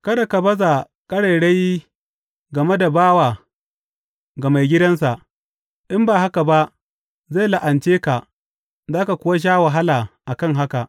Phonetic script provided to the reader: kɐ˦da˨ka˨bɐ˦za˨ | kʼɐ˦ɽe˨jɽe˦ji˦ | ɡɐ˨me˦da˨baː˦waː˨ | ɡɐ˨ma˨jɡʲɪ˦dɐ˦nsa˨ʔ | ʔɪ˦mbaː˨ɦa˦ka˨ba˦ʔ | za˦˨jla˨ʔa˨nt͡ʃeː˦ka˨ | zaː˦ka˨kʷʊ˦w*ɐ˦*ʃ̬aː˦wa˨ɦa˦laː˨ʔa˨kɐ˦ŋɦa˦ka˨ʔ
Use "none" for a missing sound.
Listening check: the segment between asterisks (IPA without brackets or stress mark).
a˦